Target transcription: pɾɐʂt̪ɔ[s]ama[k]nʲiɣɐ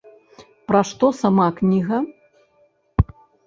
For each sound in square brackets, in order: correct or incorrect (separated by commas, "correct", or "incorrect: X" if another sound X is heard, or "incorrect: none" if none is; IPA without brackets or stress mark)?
correct, correct